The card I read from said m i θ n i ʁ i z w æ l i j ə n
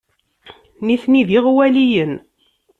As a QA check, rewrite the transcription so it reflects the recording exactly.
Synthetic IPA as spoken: n i θ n i ð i ʁ w æ l i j ə n